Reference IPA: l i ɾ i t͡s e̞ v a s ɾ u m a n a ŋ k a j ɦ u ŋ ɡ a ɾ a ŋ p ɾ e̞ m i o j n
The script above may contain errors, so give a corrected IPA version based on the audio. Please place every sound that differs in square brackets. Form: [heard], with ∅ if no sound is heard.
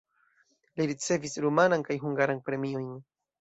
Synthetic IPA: l i ɾ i t͡s e̞ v [i] s ɾ u m a n a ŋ k a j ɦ u ŋ ɡ a ɾ a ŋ p ɾ e̞ m i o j n